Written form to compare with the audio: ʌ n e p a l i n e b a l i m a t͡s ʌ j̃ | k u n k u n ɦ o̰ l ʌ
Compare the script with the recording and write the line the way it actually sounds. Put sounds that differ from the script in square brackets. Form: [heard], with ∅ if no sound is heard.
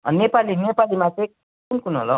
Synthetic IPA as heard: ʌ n e p a l i n e [p] a l i m a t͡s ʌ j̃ | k u n k u n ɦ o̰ l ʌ